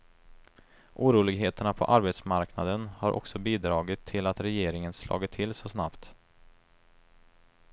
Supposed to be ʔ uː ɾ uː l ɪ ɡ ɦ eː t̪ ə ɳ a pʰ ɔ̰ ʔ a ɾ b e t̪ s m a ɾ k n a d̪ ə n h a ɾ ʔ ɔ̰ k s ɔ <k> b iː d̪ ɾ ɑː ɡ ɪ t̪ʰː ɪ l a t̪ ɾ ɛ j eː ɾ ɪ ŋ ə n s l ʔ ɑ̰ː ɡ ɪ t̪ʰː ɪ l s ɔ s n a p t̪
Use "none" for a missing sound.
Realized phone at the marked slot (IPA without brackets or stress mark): none